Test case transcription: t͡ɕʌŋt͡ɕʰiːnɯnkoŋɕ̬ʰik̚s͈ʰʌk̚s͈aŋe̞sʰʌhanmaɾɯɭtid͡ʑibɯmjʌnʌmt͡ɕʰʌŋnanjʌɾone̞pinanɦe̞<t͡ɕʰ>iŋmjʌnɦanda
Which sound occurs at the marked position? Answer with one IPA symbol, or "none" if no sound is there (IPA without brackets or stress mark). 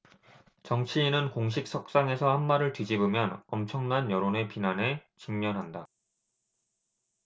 t͡ɕ